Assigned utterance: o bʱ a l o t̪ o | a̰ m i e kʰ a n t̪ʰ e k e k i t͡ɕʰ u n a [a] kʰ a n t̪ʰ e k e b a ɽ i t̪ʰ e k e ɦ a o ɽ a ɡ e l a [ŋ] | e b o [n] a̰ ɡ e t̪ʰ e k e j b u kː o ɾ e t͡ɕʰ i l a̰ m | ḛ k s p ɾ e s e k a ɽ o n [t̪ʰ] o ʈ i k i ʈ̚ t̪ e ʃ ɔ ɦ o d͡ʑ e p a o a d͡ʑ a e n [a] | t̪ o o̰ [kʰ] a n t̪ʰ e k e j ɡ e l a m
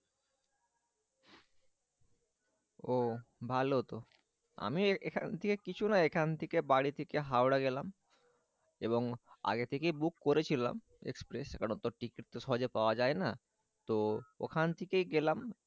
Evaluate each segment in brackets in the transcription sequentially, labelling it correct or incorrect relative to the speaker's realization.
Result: incorrect: e, incorrect: m, incorrect: ŋ, incorrect: t̪, correct, correct

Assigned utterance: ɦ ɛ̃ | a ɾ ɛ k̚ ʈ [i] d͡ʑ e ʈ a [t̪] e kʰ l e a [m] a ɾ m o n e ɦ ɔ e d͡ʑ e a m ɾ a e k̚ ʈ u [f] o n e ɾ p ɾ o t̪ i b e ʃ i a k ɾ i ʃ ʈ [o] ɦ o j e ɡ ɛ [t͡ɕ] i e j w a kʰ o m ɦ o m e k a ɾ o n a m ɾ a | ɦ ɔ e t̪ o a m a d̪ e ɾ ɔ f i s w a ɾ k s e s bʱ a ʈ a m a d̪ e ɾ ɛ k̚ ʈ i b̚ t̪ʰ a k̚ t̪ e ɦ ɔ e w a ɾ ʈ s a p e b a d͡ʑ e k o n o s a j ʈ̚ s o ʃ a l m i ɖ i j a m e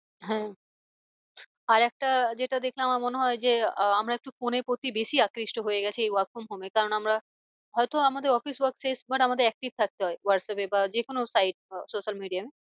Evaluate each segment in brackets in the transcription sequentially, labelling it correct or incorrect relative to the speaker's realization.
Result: incorrect: a, incorrect: d̪, correct, correct, correct, incorrect: t͡ɕʰ

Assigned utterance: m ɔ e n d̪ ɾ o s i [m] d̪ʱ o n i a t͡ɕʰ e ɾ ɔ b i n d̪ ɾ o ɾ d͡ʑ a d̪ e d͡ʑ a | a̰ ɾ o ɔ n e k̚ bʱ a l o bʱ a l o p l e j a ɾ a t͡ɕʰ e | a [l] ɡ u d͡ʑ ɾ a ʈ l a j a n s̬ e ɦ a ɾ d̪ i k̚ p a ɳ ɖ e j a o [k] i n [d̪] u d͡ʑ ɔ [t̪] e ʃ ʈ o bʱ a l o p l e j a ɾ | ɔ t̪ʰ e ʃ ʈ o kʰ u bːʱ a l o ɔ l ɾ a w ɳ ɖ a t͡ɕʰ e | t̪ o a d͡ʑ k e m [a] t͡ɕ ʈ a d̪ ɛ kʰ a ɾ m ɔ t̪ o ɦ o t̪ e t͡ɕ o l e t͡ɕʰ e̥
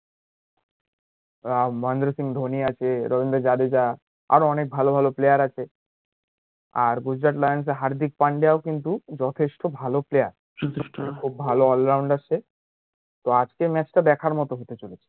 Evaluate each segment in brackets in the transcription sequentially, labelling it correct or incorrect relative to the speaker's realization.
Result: incorrect: ŋ, incorrect: ɾ, correct, incorrect: t̪, incorrect: t̪ʰ, incorrect: ɛ

